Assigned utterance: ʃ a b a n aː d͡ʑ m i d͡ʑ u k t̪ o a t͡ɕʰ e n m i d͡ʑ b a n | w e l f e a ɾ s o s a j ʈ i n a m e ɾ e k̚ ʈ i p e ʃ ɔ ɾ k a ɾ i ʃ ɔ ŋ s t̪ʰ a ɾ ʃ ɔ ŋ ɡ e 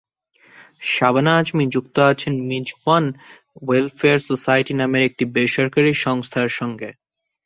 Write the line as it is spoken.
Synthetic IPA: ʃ a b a n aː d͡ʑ m i d͡ʑ u k t̪ o a t͡ɕʰ e n m i d͡ʑ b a n | w e l f e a ɾ s o s a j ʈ i n a m e ɾ e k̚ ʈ i b e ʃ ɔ ɾ k a ɾ i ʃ ɔ ŋ s t̪ʰ a ɾ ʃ ɔ ŋ ɡ e